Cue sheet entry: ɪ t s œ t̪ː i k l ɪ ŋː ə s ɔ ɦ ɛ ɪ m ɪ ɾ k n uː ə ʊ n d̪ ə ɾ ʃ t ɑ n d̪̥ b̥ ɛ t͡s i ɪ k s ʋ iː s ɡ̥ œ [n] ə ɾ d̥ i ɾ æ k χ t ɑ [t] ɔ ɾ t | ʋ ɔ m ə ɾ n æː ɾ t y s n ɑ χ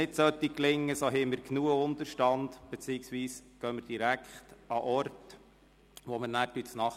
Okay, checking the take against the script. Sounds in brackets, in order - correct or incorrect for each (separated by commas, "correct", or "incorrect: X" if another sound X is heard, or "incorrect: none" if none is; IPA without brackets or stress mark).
incorrect: m, incorrect: ʔ